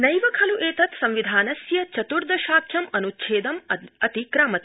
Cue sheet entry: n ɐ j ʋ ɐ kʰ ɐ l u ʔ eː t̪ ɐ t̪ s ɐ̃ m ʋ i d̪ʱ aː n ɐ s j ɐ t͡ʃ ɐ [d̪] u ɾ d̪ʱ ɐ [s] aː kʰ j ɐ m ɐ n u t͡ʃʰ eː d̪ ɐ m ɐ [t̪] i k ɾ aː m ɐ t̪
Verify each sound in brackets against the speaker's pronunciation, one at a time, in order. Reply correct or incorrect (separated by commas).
incorrect, incorrect, correct